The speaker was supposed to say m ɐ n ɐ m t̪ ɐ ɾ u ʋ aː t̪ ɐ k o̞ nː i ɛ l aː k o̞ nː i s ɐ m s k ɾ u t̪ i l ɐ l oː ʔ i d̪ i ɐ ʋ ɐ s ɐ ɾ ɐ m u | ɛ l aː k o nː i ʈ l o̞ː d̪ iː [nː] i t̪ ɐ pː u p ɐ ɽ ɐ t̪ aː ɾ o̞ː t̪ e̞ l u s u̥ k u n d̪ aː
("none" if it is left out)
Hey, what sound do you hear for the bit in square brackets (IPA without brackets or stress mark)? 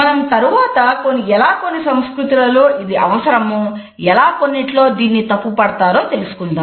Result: nː